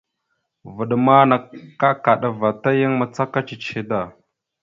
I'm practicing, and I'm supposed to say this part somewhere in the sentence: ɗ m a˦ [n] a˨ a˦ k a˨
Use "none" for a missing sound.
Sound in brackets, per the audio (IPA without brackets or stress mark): n